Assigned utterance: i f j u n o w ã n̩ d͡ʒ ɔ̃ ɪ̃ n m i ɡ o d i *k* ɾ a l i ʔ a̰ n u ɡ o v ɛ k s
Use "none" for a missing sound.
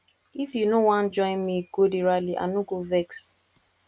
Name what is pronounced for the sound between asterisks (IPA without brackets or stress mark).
none